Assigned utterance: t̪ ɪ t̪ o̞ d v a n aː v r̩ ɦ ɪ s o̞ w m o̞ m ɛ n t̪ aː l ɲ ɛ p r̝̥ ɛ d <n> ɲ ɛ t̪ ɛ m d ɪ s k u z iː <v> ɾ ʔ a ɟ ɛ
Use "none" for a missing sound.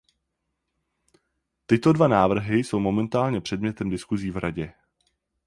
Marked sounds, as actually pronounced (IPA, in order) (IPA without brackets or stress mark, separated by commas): m, v